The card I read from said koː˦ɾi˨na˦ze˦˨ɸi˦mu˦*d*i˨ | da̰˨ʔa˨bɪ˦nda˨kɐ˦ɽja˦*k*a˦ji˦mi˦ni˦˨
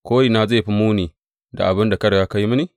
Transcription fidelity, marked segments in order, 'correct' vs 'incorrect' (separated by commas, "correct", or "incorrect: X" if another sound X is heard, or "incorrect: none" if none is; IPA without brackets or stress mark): incorrect: n, correct